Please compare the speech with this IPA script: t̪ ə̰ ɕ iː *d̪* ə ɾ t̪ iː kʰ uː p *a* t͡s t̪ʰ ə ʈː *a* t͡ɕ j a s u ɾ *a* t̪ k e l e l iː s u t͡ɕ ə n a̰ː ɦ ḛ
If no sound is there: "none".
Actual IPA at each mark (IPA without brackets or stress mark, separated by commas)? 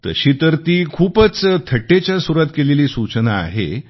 t̪, ə, e, a